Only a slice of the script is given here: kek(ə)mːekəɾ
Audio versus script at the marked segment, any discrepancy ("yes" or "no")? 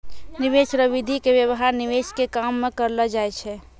yes